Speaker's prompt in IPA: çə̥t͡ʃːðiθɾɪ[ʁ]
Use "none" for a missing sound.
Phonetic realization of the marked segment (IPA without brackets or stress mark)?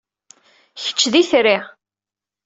ʁ